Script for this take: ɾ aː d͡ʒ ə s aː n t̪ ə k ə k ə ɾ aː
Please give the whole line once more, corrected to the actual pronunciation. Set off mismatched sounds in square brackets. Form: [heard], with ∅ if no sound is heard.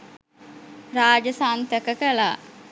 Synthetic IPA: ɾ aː d͡ʒ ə s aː n t̪ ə k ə k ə [l] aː